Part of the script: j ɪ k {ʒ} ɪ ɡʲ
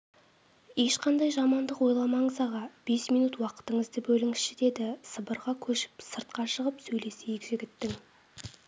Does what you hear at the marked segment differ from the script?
no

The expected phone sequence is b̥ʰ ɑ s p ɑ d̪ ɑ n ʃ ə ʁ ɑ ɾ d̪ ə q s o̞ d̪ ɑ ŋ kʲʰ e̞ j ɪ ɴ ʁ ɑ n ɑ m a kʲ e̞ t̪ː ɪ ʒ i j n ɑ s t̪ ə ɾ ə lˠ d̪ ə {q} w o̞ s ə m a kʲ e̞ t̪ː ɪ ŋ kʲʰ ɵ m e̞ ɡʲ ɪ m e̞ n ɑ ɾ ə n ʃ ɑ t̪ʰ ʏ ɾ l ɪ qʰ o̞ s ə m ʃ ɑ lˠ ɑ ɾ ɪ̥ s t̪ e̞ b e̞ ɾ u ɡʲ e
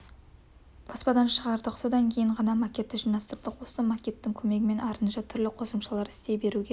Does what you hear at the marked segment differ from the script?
no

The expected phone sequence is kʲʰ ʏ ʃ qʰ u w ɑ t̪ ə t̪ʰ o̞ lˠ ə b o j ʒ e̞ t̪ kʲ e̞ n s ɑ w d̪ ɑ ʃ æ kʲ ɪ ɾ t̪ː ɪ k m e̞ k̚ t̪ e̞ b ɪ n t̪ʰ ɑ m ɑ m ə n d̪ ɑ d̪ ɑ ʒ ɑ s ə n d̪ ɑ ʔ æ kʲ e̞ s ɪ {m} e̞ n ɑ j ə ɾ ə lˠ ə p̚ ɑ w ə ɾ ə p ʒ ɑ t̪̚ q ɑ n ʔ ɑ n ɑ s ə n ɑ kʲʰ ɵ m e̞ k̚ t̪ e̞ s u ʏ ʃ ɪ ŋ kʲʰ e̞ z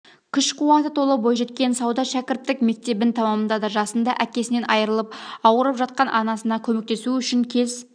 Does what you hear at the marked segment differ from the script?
yes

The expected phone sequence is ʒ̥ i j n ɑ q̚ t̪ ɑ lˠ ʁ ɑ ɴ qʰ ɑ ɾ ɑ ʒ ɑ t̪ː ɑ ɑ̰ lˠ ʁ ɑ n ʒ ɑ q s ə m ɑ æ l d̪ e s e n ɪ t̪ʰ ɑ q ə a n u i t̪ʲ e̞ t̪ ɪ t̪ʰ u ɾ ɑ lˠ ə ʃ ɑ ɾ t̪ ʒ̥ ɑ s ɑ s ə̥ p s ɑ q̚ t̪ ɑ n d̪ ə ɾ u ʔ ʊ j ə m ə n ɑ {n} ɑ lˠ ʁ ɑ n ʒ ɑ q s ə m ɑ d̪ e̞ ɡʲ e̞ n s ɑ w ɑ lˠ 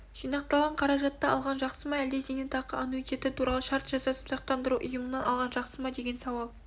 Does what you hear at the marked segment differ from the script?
no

